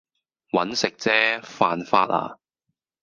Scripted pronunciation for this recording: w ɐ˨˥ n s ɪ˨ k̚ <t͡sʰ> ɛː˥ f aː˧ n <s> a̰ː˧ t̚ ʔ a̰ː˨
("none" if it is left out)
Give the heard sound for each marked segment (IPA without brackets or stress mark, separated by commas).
t͡s, f